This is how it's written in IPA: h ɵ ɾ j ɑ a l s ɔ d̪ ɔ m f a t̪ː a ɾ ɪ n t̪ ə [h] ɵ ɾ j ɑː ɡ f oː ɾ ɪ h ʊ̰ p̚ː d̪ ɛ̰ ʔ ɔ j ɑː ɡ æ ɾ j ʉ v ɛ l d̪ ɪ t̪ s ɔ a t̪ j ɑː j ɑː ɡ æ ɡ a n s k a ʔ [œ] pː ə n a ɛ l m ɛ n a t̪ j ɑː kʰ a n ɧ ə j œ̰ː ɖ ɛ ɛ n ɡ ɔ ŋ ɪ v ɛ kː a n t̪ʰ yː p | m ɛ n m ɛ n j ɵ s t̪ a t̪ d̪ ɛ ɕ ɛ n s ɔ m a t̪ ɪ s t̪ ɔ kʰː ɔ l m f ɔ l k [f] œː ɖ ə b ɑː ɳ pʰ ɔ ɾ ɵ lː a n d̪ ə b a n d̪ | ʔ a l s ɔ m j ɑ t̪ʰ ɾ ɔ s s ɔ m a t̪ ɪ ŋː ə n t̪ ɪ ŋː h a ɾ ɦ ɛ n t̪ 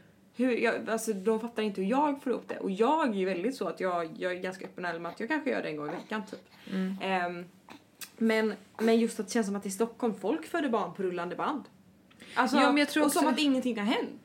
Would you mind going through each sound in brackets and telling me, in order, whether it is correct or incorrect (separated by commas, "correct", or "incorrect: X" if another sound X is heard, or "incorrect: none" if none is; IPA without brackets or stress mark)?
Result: correct, correct, correct